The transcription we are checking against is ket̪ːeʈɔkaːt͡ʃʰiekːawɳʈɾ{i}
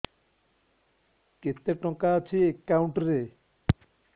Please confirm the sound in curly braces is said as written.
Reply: no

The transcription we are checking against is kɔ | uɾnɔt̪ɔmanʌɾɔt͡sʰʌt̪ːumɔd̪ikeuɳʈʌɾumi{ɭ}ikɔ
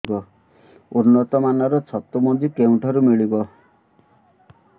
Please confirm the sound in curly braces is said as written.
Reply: yes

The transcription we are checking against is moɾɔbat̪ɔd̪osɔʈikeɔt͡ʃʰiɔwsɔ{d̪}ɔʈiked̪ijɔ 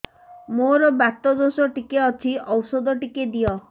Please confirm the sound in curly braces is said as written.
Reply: yes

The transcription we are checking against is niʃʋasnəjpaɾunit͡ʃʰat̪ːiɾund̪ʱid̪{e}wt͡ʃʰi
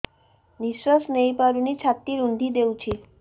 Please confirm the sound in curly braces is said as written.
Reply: yes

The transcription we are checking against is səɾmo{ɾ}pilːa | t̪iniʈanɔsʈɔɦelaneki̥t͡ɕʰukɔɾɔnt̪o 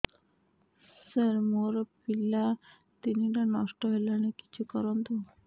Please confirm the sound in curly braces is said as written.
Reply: yes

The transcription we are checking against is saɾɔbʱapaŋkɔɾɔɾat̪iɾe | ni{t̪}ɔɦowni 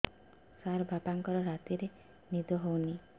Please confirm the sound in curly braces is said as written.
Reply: no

